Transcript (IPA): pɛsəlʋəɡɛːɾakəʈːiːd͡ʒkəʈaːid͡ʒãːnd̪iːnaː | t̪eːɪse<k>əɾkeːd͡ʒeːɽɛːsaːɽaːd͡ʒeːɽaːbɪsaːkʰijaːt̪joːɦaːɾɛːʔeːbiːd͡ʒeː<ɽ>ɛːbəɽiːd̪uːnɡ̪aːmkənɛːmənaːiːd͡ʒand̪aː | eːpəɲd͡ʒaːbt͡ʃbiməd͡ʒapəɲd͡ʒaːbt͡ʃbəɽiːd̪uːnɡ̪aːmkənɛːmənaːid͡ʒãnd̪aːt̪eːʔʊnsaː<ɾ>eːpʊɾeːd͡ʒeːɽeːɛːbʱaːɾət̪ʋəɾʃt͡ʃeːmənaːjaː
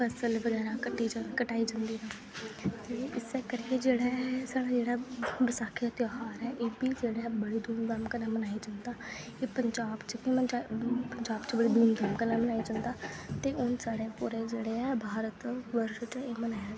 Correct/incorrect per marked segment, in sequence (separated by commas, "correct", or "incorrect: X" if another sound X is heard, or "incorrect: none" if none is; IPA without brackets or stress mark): correct, correct, incorrect: ɽ